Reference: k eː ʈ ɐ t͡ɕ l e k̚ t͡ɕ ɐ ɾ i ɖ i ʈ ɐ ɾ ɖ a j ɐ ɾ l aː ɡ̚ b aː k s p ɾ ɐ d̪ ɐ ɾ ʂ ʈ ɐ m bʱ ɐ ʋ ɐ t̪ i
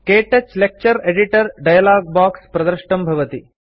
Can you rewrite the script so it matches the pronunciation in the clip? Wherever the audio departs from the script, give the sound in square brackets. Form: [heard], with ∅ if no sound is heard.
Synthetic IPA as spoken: k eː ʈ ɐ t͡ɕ l e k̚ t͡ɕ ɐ ɾ [e] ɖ i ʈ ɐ ɾ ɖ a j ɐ [∅] l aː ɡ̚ b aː k s p ɾ ɐ d̪ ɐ ɾ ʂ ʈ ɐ m bʱ ɐ ʋ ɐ t̪ i